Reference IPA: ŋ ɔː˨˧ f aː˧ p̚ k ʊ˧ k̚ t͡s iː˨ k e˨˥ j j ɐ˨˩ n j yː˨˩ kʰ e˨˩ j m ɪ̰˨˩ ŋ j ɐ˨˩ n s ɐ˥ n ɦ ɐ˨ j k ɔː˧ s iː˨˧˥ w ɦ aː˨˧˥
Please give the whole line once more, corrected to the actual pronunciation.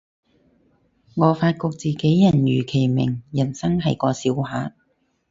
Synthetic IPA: ŋ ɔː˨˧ f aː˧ t̚ k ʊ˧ k̚ t͡s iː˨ k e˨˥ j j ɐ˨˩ n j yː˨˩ kʰ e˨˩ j m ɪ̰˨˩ ŋ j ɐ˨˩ n s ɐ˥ ŋ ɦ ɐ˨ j k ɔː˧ s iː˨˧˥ w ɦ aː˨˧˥